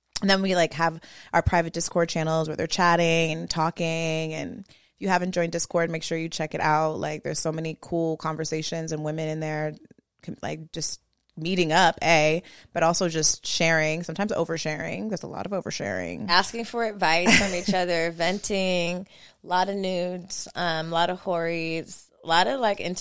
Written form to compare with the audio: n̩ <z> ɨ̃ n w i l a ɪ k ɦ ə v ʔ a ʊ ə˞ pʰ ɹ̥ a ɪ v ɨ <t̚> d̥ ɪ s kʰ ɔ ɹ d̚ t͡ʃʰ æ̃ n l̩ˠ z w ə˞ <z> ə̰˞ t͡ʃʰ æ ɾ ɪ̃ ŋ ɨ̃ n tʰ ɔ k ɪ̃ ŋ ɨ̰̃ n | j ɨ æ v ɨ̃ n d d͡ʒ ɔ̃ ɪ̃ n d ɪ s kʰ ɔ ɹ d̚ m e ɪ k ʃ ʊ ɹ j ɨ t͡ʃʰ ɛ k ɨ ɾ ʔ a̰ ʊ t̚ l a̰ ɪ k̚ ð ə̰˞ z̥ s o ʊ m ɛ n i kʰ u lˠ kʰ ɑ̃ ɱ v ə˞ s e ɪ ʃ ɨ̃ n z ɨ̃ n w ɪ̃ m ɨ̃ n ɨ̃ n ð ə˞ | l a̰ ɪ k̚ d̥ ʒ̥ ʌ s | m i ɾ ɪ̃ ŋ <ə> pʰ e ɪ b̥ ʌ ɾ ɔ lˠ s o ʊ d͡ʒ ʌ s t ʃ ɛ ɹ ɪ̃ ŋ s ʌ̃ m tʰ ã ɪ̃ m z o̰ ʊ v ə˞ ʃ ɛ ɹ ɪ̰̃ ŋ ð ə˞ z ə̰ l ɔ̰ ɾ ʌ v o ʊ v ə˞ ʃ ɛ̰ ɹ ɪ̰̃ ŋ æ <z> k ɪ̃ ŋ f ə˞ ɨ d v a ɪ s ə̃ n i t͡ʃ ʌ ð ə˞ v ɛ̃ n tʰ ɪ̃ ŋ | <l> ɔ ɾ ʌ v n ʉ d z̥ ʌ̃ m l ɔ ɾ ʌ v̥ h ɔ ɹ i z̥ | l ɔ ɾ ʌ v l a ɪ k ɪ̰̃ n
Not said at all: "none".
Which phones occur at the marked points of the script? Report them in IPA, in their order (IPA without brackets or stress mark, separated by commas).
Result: ð, t̚, ð, ʌ, s, l